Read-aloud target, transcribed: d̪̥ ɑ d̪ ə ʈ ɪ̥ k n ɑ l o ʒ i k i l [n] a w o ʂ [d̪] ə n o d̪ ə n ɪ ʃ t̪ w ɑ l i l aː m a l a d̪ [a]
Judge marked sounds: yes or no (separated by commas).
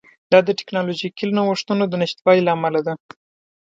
yes, no, yes